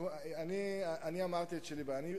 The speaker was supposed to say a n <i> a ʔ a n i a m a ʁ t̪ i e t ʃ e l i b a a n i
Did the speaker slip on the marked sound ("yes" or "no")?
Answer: no